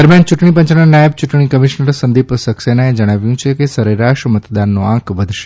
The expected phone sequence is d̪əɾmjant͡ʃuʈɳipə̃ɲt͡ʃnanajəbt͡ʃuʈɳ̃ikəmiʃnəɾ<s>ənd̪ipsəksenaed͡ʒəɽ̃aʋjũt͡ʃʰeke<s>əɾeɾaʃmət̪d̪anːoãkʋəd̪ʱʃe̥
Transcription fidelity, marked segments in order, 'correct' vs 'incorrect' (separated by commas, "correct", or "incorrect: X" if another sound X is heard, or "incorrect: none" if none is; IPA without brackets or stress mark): correct, correct